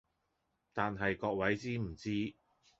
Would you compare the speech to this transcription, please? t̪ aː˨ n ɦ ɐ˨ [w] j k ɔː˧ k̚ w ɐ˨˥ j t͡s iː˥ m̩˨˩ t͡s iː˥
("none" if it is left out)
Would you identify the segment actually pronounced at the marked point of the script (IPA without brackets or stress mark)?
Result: none